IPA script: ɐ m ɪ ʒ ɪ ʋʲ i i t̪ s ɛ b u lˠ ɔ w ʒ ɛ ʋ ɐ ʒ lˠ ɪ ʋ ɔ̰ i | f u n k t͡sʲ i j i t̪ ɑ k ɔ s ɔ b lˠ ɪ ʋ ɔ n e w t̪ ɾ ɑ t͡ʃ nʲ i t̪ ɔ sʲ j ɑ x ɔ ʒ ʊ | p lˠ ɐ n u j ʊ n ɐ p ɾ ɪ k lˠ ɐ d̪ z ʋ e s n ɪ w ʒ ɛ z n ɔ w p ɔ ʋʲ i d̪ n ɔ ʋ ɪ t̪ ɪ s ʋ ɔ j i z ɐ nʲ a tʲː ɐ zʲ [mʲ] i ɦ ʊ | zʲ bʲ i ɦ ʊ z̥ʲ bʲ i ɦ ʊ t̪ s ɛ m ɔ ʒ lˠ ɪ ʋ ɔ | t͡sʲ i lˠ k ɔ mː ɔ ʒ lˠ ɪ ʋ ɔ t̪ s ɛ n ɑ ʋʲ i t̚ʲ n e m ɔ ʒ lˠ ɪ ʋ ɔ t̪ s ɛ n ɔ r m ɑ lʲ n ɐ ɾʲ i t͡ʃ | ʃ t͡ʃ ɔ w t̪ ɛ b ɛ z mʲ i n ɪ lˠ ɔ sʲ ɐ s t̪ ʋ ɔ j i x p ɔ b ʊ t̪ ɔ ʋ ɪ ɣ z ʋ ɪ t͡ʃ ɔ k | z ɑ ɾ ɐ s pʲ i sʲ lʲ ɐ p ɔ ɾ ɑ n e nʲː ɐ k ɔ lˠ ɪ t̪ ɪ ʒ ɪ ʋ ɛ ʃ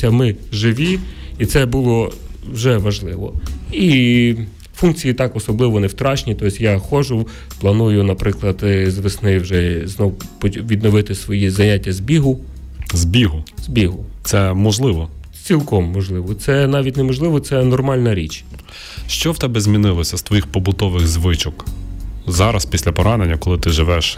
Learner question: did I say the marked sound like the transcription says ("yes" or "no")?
no